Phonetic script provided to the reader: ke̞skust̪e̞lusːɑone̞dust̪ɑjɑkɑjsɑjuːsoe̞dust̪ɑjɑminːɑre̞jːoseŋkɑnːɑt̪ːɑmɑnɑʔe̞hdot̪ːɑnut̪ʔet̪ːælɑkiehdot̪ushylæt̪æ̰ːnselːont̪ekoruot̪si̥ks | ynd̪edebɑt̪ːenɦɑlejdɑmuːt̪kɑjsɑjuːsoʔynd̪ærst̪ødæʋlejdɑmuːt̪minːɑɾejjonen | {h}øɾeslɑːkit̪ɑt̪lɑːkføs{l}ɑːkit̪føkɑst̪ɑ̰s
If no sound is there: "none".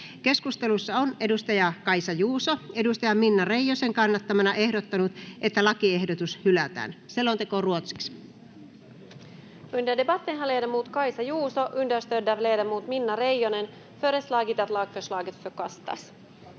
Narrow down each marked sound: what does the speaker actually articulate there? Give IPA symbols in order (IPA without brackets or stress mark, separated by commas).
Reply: f, l